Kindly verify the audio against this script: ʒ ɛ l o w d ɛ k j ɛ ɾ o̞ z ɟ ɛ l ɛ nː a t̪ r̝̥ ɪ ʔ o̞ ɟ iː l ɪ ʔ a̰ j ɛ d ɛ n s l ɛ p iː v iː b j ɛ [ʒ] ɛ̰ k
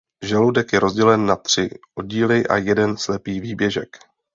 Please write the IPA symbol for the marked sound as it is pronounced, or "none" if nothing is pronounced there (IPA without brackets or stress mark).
ʒ